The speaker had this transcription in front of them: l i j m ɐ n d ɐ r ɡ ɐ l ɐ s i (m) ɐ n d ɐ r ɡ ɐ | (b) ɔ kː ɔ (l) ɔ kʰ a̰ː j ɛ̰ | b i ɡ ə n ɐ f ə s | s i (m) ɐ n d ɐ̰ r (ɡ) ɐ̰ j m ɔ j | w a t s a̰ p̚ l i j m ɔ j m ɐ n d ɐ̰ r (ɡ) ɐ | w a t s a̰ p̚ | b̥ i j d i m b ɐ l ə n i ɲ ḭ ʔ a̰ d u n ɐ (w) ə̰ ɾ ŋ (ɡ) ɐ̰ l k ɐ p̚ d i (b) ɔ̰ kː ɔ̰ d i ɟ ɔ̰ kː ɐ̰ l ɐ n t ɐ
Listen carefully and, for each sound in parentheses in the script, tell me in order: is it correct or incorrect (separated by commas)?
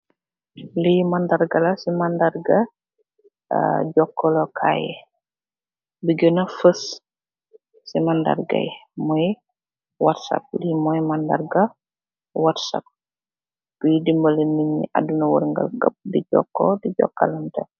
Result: correct, incorrect, correct, correct, correct, correct, correct, correct, incorrect